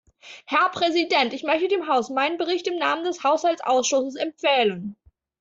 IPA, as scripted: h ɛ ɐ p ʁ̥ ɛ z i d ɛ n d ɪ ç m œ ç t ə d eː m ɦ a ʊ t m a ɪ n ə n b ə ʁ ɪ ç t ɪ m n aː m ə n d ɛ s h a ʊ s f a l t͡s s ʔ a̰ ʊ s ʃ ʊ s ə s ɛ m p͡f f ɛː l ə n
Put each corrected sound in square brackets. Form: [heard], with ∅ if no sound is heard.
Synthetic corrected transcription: h ɛ ɐ p ʁ̥ ɛ z i d ɛ n [t] ɪ ç m œ ç t ə d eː m ɦ a ʊ [s] m a ɪ n ə n b ə ʁ ɪ ç t ɪ m n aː m ə n d ɛ s h a ʊ s [h] a l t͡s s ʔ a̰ ʊ s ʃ ʊ s ə s ɛ m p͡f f ɛː l ə n